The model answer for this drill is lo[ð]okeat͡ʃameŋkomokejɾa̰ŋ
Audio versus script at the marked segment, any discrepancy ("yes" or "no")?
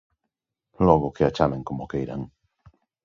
yes